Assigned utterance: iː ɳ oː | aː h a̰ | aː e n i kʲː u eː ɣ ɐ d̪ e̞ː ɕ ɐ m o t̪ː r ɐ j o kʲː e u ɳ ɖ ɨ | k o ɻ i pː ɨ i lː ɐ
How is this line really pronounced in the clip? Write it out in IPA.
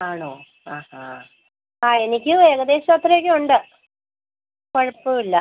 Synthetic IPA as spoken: aː ɳ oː | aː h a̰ | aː e n i kʲː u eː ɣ ɐ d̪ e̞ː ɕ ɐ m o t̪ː r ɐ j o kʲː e u ɳ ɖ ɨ | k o ɻ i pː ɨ i lː ɐ